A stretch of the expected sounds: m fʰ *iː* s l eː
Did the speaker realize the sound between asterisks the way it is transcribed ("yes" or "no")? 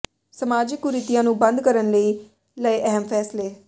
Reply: no